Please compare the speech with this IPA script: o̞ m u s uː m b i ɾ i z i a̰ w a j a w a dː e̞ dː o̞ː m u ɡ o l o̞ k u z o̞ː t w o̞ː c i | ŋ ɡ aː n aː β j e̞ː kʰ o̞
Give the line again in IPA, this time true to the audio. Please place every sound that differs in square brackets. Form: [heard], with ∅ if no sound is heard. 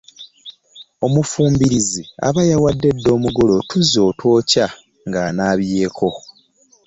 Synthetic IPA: o̞ m u [f] uː m b i ɾ i z i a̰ [β] a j a w a dː e̞ dː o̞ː m u ɡ o l o̞ [t] u z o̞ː t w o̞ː c [a] | ŋ ɡ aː n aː β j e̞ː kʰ o̞